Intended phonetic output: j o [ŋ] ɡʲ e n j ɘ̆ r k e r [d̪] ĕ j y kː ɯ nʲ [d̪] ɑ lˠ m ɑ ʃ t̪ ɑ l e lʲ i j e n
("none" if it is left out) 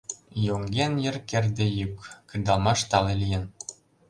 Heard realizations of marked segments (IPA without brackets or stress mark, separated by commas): ŋ, d̪, d̪